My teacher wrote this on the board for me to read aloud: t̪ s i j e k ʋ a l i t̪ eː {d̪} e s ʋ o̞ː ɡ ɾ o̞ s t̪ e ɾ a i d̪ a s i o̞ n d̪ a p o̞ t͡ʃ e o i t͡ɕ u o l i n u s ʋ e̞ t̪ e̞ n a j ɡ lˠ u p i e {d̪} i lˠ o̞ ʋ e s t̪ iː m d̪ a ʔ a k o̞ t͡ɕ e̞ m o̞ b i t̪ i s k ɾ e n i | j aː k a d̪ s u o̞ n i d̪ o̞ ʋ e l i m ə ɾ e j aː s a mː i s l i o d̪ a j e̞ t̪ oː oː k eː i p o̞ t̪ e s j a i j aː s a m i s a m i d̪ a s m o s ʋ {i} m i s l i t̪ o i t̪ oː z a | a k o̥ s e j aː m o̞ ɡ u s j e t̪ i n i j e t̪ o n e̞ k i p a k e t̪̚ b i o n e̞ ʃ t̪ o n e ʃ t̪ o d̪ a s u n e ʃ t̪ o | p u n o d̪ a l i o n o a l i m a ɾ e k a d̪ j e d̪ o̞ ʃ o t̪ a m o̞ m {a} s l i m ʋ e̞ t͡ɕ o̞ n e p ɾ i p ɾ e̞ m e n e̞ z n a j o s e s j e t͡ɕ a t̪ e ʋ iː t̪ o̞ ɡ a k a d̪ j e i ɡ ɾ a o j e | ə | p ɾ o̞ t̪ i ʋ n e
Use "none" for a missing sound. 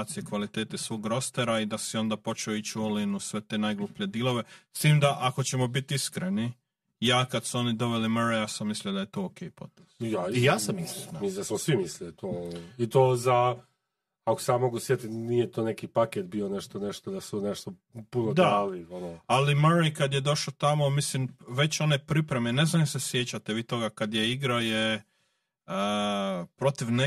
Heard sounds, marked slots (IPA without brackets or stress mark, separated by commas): t̪, d̪, i, i